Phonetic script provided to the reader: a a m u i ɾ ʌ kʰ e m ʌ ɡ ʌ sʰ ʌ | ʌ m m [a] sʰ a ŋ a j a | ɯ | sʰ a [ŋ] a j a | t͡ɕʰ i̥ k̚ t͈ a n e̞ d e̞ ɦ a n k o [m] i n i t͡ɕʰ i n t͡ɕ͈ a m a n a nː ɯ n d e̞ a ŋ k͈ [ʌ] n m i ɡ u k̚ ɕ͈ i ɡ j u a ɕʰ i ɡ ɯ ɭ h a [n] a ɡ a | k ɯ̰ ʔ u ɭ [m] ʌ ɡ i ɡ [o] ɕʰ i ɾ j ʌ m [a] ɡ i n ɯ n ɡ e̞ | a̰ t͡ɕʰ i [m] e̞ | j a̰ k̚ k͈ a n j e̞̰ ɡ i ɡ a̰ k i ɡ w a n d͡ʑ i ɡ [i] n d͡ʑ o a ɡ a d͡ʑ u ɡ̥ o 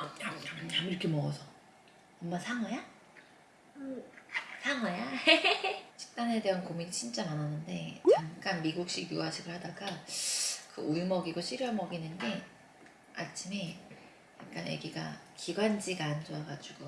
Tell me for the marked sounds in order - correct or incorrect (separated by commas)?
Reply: correct, correct, correct, incorrect, incorrect, correct, correct, incorrect, correct, incorrect